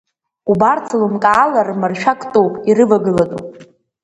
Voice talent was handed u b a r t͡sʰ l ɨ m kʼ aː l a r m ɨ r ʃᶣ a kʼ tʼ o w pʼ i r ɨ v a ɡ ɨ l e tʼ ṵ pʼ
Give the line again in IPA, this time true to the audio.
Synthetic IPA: u b a r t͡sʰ l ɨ m kʼ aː l a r m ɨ r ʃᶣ a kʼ tʼ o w pʼ i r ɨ v a ɡ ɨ l a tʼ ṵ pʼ

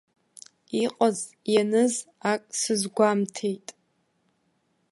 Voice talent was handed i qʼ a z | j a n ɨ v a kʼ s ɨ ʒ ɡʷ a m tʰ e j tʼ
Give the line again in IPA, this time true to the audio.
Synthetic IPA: i qʼ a z | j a n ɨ z a kʼ s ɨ z ɡʷ a m tʰ e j tʼ

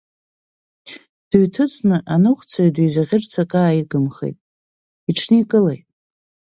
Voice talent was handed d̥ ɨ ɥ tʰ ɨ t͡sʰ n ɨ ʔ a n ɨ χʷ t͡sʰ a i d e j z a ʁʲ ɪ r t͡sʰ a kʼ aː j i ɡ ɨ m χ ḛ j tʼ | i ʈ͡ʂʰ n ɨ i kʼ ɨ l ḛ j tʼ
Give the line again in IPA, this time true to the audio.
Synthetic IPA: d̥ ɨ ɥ tʰ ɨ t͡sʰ n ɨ ʔ a n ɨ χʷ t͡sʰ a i d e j z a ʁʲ ɪ r t͡sʰ a kʼ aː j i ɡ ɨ m χ ḛ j tʼ | i ʈ͡ʂʰ n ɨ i kʼ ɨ l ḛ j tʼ

